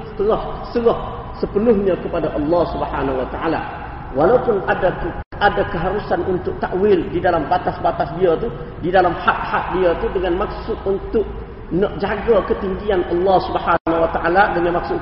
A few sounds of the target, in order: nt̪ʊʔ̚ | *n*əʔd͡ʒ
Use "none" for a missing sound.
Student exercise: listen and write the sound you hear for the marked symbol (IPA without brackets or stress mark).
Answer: n